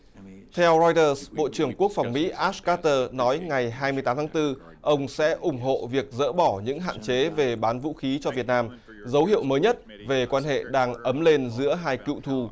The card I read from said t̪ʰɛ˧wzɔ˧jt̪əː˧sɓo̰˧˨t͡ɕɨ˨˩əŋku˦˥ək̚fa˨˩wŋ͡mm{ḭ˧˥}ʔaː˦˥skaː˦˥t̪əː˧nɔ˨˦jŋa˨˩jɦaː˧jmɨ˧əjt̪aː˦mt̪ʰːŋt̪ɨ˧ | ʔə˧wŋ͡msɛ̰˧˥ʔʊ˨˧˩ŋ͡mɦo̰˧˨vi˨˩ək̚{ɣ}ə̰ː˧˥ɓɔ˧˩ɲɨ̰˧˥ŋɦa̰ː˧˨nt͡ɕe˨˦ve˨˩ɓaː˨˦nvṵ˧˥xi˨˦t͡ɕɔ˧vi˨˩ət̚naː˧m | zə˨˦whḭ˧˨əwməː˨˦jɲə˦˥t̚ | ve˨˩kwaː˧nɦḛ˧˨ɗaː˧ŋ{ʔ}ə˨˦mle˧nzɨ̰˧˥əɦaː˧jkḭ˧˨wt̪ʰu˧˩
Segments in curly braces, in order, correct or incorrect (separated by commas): correct, incorrect, correct